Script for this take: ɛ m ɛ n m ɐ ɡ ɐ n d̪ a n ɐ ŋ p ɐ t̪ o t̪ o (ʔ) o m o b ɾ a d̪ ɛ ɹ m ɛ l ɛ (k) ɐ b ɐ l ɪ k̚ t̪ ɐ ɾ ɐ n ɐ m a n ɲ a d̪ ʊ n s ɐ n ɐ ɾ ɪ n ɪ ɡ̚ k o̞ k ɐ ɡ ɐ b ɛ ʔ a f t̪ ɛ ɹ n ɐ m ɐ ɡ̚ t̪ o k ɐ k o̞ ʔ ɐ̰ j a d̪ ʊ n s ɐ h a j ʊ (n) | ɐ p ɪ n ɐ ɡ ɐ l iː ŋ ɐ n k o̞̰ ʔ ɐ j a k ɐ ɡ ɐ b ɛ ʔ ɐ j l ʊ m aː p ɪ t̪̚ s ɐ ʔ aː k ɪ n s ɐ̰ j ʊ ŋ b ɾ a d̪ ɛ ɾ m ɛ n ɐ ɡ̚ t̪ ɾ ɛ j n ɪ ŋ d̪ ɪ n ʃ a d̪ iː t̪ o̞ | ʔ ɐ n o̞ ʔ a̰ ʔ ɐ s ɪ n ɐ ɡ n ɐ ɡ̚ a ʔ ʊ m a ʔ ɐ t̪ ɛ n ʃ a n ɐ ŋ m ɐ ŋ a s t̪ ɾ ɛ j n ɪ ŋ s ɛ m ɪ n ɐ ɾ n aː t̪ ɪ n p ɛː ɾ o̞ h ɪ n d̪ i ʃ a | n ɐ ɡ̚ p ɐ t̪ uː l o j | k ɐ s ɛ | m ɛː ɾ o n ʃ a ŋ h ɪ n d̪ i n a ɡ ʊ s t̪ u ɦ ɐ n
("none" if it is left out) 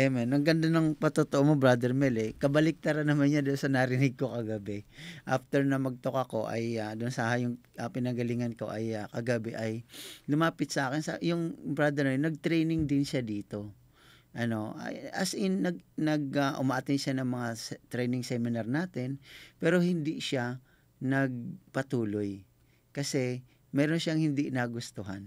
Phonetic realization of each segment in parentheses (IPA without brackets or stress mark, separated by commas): ʔ, k, ŋ